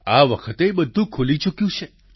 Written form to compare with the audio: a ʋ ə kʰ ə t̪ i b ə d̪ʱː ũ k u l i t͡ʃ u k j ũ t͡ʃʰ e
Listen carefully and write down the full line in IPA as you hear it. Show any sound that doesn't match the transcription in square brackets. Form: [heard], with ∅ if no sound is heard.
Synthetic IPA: a ʋ ə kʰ ə t̪ [e] b ə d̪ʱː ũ [kʰ] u l i t͡ʃ u k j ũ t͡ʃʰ e